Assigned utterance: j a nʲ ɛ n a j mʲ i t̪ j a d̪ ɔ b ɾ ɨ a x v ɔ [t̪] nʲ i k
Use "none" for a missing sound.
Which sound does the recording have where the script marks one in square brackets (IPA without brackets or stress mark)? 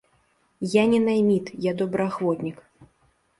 t̪